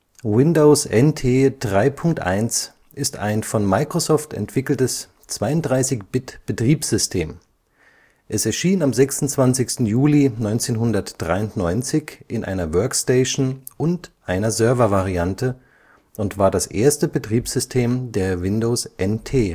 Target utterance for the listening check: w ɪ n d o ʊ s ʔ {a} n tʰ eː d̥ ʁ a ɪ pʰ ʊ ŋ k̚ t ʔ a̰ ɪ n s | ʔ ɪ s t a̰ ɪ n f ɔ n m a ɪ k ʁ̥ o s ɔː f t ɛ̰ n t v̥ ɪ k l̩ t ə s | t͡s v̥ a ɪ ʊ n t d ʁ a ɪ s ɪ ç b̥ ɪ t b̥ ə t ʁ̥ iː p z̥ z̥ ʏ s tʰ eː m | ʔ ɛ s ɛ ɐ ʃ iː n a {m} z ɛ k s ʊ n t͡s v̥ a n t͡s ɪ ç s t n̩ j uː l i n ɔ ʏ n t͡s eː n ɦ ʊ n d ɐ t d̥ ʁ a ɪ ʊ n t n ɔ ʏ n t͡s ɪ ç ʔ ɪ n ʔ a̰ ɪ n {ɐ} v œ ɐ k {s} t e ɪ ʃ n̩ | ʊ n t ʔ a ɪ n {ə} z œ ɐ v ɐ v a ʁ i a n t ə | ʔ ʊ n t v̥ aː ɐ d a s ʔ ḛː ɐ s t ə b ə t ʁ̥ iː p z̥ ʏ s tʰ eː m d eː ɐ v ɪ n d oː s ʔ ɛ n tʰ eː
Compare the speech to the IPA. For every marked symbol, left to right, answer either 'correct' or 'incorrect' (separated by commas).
incorrect, correct, correct, correct, incorrect